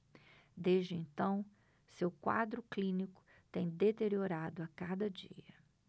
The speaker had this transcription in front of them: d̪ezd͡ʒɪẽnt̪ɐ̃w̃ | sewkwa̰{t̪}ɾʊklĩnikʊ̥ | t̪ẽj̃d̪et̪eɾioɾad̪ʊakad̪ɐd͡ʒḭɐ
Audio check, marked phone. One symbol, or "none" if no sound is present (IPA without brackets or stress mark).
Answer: d̪